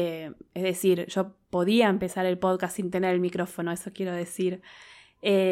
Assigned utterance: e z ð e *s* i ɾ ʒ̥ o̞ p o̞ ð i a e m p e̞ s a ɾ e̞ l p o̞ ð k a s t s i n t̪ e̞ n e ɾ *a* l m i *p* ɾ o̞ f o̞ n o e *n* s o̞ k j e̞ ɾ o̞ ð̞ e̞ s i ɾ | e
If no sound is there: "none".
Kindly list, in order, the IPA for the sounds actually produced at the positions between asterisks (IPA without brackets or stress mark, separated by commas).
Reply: s, e, k, none